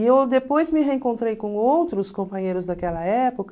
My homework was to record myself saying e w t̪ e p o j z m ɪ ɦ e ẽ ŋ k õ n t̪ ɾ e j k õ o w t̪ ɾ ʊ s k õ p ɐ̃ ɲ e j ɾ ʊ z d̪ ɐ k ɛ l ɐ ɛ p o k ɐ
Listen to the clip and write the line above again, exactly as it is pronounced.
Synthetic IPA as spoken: e w d̪ e p o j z m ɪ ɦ e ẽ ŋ k õ n t̪ ɾ e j k õ o w t̪ ɾ ʊ s k õ p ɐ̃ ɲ e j ɾ ʊ z d̪ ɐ k ɛ l ɐ ɛ p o k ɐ